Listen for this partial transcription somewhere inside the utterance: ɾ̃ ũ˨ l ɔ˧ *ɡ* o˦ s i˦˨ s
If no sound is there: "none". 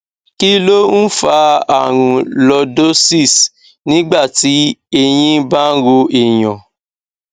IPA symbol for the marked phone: d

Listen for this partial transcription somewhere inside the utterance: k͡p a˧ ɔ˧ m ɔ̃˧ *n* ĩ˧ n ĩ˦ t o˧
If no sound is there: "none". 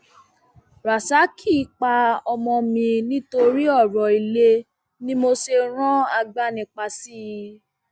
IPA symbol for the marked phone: m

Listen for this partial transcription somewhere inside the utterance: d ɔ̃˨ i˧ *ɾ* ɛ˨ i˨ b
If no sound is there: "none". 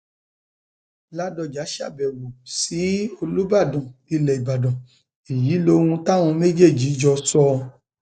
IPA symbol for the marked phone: l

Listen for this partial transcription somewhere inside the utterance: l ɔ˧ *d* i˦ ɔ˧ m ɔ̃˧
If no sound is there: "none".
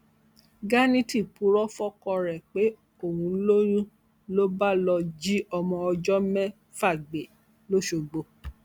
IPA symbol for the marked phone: d͡ʒ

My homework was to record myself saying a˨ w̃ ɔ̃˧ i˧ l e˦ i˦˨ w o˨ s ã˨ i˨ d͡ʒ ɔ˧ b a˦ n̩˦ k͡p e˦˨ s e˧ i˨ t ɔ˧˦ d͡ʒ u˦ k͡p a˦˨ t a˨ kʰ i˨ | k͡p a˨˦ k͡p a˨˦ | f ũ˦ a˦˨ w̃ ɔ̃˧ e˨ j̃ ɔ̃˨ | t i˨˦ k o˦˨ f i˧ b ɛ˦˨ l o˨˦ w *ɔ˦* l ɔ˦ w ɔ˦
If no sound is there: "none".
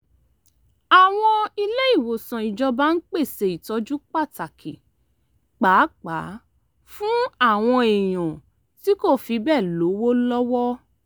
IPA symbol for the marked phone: o˦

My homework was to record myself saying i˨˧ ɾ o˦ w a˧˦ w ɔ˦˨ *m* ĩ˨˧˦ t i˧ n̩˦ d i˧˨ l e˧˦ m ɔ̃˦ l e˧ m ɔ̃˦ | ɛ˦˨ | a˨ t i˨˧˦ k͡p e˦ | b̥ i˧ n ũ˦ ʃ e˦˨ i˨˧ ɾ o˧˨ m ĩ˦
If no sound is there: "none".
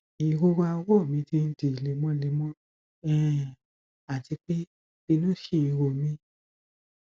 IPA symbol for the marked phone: m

